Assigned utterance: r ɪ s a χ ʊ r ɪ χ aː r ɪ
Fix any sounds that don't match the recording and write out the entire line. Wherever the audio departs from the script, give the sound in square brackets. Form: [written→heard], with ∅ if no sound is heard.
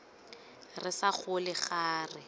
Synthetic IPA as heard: r ɪ s a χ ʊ [r→l] ɪ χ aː r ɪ